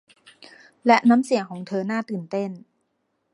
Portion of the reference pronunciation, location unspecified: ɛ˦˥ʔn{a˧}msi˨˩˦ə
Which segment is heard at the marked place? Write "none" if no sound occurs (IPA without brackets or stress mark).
a˦˥